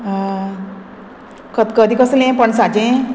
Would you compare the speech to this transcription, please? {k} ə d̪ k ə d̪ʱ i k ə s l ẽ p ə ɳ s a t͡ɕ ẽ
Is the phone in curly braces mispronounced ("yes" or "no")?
no